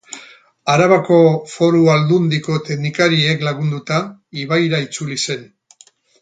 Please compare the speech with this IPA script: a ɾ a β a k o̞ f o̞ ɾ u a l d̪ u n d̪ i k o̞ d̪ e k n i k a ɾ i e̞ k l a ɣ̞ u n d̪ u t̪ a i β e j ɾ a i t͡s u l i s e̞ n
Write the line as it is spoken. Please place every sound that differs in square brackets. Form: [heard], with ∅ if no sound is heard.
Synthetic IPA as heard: a ɾ a β a k o̞ f o̞ ɾ u a l d̪ u n d̪ i k o̞ [t̪] e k n i k a ɾ i e̞ k l a ɣ̞ u n d̪ u t̪ a i β [a] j ɾ a i t͡s u l i s e̞ n